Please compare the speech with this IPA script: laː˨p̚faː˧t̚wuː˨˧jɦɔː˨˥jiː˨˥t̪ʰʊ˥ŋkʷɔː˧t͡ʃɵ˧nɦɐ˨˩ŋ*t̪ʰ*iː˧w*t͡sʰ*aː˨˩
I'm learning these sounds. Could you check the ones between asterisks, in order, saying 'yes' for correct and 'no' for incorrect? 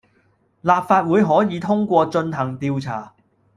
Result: no, yes

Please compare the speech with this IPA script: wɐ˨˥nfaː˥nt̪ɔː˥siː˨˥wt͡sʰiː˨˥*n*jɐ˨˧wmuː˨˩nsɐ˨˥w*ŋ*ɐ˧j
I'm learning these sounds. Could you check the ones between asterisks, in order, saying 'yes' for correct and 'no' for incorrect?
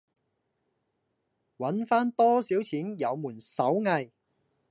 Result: yes, yes

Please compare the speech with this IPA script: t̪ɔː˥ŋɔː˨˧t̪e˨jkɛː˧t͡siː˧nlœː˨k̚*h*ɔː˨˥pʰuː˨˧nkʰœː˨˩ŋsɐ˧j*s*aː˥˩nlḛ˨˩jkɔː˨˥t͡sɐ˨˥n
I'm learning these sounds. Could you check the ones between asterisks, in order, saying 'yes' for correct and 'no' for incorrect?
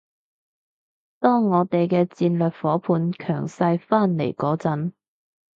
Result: no, no

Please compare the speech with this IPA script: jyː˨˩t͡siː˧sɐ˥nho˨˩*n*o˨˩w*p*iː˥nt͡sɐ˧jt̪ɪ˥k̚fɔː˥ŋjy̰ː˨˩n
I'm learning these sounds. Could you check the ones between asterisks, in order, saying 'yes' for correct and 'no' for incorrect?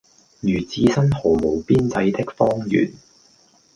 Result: no, yes

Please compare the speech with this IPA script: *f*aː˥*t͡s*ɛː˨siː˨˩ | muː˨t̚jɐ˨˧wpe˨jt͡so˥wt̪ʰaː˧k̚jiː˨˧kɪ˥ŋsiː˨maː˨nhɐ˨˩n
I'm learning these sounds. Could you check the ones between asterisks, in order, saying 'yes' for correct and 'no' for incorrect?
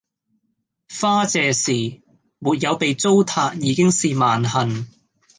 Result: yes, yes

